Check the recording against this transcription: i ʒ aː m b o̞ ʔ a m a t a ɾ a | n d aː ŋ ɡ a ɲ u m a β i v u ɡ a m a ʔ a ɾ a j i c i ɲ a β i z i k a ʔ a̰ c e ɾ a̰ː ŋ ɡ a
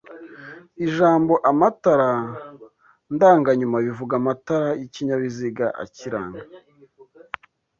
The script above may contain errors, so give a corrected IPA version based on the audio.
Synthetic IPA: i ʒ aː m b o̞ ʔ a m a t a ɾ a | n d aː ŋ ɡ a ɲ u m a β i v u ɡ a m a t a ɾ a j i c i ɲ a β i z i ɡ a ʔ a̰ c i ɾ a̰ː ŋ ɡ a